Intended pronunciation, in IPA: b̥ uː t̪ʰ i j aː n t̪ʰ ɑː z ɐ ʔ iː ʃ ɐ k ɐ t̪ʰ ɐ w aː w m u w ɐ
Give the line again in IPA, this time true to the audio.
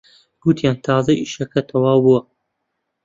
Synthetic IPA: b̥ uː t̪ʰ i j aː n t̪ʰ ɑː z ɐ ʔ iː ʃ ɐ k ɐ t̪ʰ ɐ w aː w b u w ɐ

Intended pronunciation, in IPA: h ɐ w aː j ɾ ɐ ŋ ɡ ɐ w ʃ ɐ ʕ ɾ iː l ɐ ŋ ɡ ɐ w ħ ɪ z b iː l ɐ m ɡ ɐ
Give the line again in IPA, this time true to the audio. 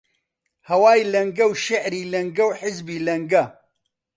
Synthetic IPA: h ɐ w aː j l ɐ ŋ ɡ ɐ w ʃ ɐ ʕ ɾ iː l ɐ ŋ ɡ ɐ w ħ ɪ z b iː l ɐ ŋ ɡ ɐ

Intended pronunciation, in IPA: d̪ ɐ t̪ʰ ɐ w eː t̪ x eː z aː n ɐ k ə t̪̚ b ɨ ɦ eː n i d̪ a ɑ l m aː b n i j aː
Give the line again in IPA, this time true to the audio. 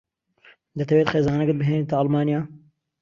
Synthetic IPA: d̪ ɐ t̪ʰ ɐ w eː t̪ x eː z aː n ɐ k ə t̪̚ b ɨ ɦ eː n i t̪ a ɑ l m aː n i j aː

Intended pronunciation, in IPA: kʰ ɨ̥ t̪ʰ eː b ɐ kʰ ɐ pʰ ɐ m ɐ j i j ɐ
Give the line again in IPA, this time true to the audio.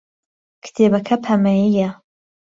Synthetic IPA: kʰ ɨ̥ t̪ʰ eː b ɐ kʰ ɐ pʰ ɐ m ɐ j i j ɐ

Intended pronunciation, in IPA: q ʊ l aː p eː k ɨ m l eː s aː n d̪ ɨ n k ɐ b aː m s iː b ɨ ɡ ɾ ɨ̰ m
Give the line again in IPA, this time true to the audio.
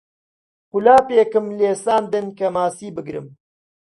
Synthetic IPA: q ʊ l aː p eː k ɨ m l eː s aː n d̪ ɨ n k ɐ m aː s iː b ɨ ɡ ɾ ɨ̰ m

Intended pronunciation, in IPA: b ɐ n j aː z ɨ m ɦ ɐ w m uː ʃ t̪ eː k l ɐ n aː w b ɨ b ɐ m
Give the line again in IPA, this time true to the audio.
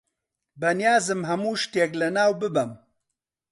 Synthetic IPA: b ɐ n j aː z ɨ m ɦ ɐ m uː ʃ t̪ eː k l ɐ n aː w b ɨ b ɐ m

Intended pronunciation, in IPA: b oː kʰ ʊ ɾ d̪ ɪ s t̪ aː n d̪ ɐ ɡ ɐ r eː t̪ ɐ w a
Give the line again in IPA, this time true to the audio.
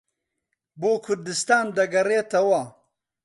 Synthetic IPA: b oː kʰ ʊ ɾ d̪ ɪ s t̪ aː n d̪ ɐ ɡ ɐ ɾ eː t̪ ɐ w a

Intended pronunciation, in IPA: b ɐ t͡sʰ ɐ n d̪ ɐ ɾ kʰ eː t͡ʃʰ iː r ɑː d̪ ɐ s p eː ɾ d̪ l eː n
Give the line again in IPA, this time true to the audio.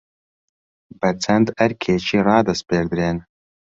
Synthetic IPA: b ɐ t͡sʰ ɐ n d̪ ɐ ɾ kʰ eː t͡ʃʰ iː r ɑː d̪ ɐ s p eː ɾ d̪ ɾ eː n

